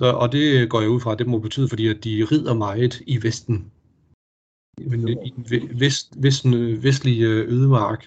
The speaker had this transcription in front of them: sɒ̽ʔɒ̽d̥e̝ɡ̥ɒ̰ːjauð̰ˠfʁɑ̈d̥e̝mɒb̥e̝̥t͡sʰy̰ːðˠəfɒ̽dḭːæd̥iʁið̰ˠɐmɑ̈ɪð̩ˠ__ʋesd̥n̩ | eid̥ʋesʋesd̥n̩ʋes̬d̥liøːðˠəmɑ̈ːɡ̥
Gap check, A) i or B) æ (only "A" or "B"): A